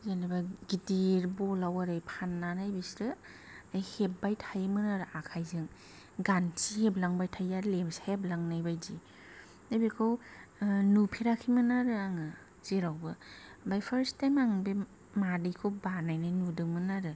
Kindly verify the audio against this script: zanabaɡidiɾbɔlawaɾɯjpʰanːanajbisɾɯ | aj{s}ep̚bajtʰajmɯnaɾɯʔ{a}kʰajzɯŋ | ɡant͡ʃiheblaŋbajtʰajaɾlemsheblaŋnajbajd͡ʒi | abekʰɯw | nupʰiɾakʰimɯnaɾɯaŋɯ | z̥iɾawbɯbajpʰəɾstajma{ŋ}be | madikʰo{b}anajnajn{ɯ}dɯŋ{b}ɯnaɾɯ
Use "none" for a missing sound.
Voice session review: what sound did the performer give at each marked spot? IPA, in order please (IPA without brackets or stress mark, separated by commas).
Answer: h, a, ŋ, b, u, m